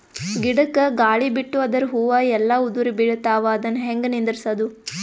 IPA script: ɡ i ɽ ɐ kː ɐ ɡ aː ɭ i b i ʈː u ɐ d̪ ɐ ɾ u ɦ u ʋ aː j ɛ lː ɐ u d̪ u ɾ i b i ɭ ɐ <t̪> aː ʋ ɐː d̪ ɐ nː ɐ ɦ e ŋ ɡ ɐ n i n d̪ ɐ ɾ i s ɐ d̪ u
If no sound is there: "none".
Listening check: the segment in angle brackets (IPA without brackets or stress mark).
t̪